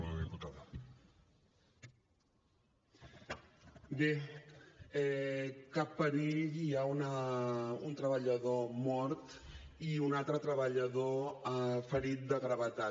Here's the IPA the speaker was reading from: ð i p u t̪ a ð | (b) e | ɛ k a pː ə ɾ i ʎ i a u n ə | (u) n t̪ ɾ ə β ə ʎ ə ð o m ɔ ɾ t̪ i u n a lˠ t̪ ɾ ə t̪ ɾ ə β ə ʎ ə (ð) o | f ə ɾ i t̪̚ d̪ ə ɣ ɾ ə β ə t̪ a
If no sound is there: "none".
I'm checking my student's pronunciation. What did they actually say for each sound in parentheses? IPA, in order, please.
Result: b, u, ð

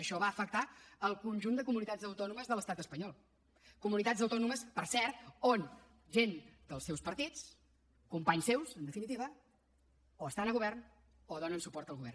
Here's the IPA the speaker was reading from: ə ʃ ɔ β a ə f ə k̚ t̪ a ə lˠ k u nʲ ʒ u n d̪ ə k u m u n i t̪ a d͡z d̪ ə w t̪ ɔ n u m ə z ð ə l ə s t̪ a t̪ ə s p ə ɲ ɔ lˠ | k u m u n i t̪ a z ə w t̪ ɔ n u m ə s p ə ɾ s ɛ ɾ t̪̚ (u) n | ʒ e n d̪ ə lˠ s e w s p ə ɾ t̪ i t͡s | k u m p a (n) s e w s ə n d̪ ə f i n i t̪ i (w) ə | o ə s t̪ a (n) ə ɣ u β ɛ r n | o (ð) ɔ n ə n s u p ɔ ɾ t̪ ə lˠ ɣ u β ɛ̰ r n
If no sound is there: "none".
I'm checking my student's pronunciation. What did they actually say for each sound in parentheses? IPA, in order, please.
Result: o, ɲ, β, n, ð

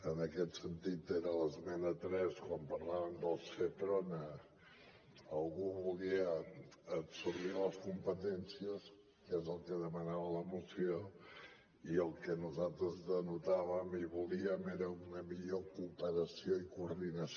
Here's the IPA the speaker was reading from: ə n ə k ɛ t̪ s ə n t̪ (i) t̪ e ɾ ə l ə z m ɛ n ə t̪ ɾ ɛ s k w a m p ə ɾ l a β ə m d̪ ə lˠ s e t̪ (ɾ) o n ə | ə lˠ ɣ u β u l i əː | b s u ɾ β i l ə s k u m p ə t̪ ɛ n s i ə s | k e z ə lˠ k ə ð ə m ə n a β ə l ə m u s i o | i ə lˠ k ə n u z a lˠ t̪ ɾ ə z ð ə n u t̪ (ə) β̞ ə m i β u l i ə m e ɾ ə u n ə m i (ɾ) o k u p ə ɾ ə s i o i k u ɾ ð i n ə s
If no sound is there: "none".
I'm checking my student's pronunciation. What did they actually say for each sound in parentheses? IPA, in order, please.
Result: i, ɾ, a, ʎ

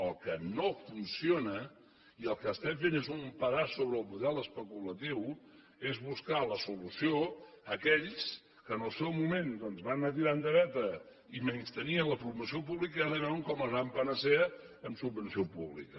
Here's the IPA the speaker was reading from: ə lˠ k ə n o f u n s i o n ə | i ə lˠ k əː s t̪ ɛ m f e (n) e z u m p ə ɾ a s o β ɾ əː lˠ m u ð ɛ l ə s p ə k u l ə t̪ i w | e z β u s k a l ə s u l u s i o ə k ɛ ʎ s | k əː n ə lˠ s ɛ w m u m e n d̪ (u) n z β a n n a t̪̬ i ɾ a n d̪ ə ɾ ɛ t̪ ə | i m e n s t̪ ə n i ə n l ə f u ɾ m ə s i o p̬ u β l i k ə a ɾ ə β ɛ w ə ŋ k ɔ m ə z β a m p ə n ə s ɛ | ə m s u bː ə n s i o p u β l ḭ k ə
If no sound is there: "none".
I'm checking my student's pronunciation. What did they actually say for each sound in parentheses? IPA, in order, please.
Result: n, ɔ

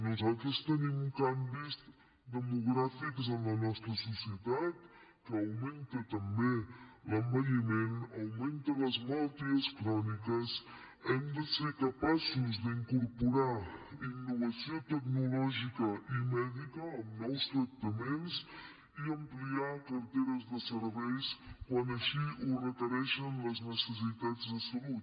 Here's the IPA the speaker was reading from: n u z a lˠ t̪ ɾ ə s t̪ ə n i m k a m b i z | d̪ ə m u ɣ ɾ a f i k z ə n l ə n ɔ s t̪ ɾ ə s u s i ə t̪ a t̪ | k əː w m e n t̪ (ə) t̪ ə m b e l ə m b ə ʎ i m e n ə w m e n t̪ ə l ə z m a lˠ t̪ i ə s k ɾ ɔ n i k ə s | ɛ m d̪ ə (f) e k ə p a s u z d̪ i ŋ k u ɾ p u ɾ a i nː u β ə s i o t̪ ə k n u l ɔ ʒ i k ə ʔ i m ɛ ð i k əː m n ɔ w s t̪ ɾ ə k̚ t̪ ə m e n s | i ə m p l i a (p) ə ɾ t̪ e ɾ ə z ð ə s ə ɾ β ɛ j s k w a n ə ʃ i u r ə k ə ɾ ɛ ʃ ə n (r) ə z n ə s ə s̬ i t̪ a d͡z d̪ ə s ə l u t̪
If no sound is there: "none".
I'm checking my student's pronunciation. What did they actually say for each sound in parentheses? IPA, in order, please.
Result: ə, s, k, l

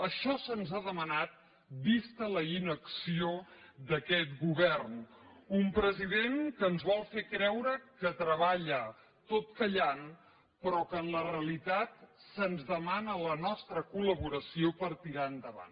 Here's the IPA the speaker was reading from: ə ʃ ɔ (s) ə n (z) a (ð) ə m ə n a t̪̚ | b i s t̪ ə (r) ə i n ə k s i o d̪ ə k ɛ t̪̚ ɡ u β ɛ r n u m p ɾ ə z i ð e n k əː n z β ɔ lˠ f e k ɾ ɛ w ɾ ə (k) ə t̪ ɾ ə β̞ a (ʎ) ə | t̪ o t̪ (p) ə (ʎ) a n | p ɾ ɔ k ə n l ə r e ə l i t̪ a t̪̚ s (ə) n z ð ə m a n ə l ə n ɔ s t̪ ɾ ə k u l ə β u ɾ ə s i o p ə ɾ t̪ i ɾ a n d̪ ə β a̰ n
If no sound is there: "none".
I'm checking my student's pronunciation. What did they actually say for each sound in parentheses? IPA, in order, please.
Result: s, z, ð, l, k, ʎ, k, ʎ, ə

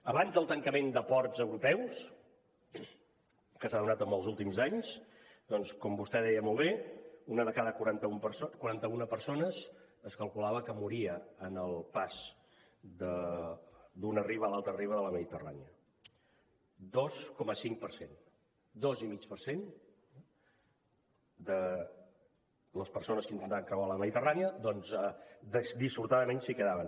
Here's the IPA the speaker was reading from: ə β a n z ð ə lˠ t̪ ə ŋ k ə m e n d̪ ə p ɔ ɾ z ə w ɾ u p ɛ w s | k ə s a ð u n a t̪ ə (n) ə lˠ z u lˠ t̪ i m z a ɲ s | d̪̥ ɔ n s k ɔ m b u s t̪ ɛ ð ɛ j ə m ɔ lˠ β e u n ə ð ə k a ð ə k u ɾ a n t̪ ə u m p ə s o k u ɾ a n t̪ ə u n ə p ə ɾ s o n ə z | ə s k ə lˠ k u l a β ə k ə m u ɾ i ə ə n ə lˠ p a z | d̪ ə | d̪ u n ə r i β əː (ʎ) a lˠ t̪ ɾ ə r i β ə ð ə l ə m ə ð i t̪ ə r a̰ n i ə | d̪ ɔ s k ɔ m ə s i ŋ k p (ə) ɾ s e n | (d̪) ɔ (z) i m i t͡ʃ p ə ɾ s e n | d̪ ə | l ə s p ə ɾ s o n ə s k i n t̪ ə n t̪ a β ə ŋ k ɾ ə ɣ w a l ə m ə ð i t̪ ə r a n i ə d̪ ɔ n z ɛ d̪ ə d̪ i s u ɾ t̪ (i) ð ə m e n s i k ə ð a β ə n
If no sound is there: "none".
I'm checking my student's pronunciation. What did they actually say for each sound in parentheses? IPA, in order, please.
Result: m, l, ə, d̪, z, a

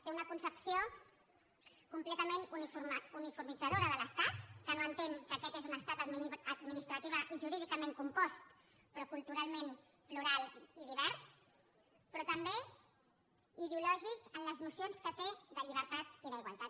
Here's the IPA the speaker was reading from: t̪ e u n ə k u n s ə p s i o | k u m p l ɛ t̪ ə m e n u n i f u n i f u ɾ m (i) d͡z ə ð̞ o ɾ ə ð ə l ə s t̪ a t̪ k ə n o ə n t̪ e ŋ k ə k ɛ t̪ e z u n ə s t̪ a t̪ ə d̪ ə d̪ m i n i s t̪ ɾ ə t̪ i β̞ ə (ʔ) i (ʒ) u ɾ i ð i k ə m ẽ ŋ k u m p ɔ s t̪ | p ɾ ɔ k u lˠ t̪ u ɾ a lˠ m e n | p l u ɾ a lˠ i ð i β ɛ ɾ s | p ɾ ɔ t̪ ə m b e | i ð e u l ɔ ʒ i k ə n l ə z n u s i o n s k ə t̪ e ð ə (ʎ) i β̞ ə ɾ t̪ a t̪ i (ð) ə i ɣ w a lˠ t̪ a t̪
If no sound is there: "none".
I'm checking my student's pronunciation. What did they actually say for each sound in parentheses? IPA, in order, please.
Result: i, ʔ, ʒ, ʎ, ð

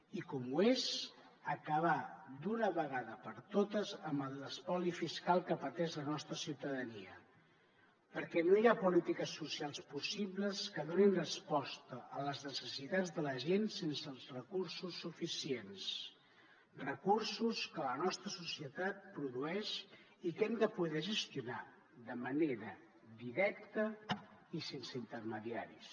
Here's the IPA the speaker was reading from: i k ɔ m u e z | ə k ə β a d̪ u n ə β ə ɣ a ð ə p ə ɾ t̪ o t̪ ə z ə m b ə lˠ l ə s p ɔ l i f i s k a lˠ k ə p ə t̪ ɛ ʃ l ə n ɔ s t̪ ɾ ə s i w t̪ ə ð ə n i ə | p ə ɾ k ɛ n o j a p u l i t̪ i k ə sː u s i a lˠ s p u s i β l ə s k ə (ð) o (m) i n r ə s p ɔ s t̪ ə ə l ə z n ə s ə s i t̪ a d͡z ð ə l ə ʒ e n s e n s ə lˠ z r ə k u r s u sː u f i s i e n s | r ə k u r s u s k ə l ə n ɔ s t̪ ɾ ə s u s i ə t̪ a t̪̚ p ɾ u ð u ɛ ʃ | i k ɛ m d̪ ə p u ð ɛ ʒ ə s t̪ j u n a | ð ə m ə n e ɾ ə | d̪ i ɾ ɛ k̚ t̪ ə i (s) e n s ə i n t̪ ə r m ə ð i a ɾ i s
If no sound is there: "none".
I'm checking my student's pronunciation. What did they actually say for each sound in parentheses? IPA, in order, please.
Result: ð, n, s

